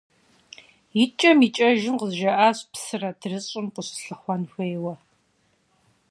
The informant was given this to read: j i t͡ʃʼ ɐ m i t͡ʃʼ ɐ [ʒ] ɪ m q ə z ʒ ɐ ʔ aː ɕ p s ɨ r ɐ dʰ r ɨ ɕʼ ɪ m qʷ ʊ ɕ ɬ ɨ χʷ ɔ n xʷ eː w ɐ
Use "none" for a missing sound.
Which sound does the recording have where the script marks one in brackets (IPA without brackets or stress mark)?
ʒ